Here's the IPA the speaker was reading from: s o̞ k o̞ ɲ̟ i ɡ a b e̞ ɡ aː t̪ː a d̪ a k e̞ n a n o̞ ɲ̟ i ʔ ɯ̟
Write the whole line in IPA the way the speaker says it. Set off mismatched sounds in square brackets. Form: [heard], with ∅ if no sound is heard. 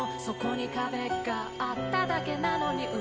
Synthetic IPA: s o̞ k o̞ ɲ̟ i [k] a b e̞ ɡ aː t̪ː a d̪ a k e̞ n a n o̞ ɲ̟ i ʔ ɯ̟